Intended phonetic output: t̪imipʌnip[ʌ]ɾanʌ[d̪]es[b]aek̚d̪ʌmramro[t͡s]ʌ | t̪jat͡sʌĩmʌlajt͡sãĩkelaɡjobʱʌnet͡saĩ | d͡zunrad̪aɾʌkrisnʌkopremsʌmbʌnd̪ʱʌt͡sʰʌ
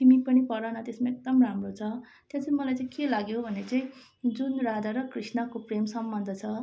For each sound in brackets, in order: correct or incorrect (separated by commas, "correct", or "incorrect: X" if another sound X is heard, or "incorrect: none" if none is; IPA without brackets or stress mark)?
correct, incorrect: t̪, incorrect: m, incorrect: t͡sʰ